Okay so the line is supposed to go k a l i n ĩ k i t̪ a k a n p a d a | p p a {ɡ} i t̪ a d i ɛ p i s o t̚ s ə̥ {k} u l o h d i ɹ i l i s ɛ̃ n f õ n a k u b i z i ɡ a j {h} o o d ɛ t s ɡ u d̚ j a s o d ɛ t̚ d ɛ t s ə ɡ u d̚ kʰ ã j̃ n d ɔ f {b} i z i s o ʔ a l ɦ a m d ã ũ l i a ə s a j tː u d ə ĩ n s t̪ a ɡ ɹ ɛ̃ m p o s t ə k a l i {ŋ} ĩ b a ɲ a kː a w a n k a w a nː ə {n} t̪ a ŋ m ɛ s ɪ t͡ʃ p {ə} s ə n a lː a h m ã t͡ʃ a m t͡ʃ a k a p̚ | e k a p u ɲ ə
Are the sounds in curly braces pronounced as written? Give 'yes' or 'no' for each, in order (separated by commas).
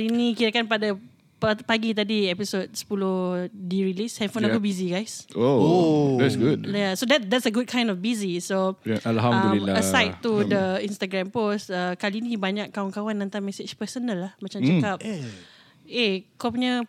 yes, no, no, yes, no, yes, yes